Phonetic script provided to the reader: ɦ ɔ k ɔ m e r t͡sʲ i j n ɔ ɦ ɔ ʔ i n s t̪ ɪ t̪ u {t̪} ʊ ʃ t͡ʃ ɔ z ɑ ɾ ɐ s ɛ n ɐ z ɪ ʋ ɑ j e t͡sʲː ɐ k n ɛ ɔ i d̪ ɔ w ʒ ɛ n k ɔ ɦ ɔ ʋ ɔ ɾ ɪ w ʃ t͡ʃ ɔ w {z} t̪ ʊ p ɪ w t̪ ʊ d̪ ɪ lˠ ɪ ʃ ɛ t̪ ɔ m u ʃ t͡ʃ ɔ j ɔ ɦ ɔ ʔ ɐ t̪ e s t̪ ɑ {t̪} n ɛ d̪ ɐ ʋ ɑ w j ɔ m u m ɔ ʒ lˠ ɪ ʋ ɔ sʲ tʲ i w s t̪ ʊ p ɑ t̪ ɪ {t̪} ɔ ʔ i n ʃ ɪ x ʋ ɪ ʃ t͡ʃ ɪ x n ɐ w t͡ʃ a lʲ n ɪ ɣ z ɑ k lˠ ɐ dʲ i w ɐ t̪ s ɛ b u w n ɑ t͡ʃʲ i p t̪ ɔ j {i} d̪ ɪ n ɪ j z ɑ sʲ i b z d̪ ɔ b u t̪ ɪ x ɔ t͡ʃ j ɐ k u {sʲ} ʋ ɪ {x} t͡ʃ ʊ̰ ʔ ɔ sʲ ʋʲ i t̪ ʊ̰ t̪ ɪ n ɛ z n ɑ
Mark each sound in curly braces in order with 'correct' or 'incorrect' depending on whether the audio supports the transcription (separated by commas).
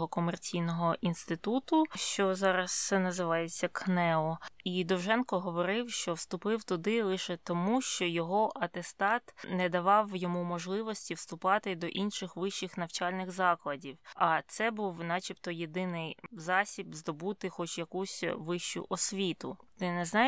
correct, incorrect, correct, incorrect, incorrect, correct, incorrect